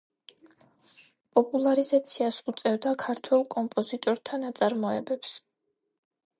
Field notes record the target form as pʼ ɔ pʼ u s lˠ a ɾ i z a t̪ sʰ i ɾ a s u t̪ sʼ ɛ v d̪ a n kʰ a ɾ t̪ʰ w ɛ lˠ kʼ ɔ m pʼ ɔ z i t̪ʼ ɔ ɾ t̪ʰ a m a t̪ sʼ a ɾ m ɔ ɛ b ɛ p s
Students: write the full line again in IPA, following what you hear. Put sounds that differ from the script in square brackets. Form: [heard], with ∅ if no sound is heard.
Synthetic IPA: pʼ ɔ pʼ u [∅] lˠ a ɾ i z a t̪ sʰ i [∅] a s u t̪ sʼ ɛ v d̪ a [∅] kʰ a ɾ t̪ʰ w ɛ lˠ kʼ ɔ m pʼ ɔ z i t̪ʼ ɔ ɾ t̪ʰ a [n] a t̪ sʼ a ɾ m ɔ ɛ b ɛ p s